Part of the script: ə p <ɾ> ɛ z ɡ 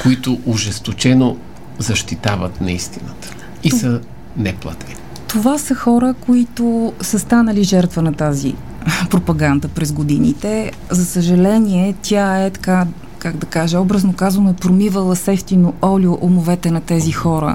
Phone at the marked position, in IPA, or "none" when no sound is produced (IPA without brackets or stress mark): ɾ